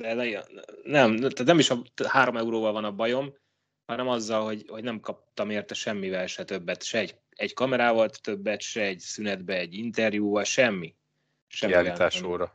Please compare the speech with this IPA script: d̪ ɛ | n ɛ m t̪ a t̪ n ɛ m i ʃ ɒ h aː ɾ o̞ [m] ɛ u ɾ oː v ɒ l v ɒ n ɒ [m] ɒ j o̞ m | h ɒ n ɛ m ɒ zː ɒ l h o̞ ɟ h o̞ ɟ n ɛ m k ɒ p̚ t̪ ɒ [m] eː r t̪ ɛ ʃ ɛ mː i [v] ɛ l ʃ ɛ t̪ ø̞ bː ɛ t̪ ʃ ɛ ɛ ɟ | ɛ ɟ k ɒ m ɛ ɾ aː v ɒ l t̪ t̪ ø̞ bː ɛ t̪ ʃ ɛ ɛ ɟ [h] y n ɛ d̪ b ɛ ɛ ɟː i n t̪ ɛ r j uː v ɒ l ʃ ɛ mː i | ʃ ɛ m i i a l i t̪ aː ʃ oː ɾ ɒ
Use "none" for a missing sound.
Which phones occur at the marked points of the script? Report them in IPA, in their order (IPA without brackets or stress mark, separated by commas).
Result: m, b, m, v, s